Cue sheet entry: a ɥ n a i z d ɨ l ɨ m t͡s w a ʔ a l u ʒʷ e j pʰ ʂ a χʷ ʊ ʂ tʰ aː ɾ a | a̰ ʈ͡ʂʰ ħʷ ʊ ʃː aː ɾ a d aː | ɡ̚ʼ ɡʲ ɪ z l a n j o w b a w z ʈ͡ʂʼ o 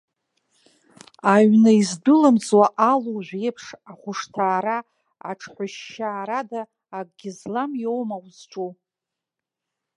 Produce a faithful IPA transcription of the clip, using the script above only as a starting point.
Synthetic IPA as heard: a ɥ n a i z d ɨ l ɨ m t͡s w a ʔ a l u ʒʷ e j pʰ ʂ a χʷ ʊ ʂ tʰ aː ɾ a | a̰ ʈ͡ʂʰ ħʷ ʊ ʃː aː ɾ a d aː | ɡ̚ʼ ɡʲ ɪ z l a m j o w m a w z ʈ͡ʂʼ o